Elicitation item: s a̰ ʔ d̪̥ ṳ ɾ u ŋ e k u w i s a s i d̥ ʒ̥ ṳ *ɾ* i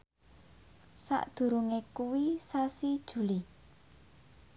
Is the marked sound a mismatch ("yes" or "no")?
yes